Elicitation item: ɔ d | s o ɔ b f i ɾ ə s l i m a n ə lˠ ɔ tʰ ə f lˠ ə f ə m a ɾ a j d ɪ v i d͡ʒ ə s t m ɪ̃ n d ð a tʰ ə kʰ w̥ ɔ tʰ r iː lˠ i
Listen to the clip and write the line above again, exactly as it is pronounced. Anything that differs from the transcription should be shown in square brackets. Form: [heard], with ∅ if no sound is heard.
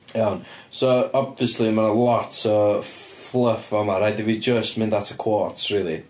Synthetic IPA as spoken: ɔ [n] | s o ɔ b [v] i [∅] ə s l i m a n ə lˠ ɔ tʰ ə f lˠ ə f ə m a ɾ a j d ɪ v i d͡ʒ ə s t m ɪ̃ n d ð a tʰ ə kʰ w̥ ɔ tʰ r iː lˠ i